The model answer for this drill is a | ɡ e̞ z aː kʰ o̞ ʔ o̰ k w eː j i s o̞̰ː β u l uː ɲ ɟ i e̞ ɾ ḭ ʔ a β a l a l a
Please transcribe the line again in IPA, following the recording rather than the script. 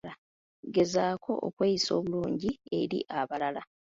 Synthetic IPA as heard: a | ɡ e̞ z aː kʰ o̞ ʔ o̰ k w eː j i s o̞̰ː β u l uː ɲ ɟ i e̞ ɾ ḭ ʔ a β a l a l a